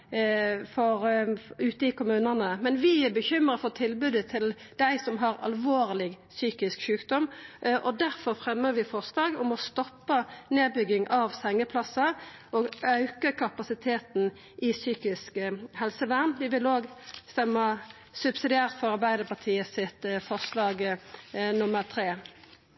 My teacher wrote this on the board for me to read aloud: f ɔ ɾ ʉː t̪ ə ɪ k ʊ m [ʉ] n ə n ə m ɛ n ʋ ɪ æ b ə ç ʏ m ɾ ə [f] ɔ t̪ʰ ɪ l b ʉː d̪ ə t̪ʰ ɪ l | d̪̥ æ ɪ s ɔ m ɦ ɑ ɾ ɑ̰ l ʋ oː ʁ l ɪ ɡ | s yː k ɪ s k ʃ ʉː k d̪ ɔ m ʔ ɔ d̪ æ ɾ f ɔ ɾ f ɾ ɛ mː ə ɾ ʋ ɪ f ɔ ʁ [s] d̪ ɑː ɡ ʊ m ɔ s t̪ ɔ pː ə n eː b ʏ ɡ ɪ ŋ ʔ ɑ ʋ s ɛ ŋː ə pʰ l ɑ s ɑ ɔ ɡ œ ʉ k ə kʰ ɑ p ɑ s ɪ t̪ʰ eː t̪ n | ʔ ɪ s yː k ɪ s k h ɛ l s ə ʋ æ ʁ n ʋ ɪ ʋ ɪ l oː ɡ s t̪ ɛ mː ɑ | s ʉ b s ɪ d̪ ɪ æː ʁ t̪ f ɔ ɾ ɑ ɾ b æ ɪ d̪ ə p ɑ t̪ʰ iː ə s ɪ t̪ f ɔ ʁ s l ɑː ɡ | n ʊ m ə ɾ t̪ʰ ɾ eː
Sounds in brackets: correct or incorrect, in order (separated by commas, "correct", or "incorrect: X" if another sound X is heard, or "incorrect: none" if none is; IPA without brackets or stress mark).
incorrect: ʉː, correct, correct